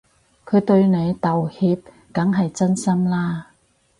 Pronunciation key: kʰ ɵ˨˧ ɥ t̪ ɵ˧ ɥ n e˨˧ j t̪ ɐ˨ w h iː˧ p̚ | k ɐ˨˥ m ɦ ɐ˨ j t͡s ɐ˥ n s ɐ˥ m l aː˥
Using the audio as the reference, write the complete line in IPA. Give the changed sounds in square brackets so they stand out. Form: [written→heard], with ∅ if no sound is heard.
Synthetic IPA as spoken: kʰ ɵ˨˧ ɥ t̪ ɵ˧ ɥ n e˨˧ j t̪ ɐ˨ w h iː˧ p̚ | k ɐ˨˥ [m→ŋ] ɦ ɐ˨ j t͡s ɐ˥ n s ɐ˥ m l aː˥